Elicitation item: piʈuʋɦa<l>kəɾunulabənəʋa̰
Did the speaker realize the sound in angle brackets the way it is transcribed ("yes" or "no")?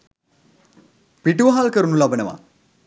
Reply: yes